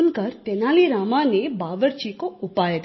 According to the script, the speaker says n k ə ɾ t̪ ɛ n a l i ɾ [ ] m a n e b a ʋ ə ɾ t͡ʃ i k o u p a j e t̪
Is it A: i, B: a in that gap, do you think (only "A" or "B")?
B